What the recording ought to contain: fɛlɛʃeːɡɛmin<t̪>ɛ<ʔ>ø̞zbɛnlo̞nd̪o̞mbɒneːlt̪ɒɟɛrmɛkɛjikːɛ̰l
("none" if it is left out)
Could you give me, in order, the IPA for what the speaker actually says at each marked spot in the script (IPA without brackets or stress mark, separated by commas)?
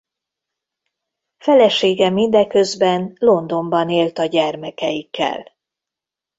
d̪, k